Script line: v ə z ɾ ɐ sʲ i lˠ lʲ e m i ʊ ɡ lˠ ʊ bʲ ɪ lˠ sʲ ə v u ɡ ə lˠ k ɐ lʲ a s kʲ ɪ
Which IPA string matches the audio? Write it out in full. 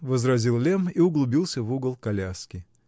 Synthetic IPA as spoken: v ə z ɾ ɐ zʲ i lˠ lʲ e m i ʊ ɡ lˠ ʊ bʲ i lˠ sʲ ə v u ɡ ə lˠ k ɐ lʲ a s kʲ ɪ